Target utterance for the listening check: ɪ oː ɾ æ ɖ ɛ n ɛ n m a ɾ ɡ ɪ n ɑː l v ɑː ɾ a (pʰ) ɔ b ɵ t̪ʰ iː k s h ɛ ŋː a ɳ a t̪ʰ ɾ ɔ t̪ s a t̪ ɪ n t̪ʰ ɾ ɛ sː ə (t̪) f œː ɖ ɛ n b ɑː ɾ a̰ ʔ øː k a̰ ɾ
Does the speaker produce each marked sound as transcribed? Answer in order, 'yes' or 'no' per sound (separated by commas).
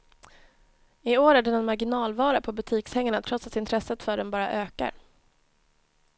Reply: yes, yes